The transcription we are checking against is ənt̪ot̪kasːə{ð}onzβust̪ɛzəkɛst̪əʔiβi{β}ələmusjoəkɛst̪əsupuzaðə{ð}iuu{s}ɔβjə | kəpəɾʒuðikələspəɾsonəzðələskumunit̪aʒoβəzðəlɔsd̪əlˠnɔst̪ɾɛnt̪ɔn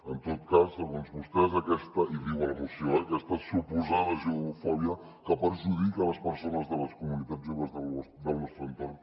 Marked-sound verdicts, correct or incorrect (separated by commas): incorrect, incorrect, incorrect, incorrect